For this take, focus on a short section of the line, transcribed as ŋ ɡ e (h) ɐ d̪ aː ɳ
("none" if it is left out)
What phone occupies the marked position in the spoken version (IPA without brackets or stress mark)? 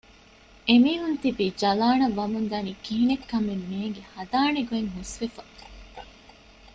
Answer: h